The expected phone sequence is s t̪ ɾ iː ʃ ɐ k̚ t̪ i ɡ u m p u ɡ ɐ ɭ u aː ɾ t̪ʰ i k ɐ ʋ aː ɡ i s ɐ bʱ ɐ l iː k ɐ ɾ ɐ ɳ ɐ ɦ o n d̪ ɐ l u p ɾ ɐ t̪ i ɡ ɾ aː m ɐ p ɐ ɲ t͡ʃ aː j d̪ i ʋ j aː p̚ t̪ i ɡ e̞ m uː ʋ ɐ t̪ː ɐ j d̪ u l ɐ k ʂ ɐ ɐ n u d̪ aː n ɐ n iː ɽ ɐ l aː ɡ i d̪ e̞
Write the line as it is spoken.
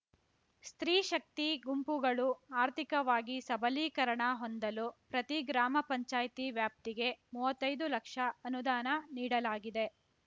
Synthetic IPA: s t̪ ɾ iː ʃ ɐ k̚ t̪ i ɡ u m p u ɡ ɐ ɭ u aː ɾ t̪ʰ i k ɐ ʋ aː ɡ i s ɐ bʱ ɐ l iː k ɐ ɾ ɐ ɳ ɐ ɦ o n d̪ ɐ l u p ɾ ɐ t̪ i ɡ ɾ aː m ɐ p ɐ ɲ t͡ʃ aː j t̪ i ʋ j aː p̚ t̪ i ɡ e̞ m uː ʋ ɐ t̪ː ɐ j d̪ u l ɐ k ʂ ɐ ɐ n u d̪ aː n ɐ n iː ɽ ɐ l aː ɡ i d̪ e̞